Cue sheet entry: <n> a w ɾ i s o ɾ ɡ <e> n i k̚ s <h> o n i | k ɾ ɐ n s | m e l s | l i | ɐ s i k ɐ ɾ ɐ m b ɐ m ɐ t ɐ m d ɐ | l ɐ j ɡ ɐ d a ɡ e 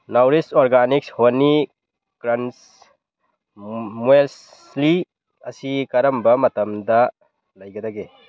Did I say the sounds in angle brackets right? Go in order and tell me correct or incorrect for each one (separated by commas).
correct, incorrect, correct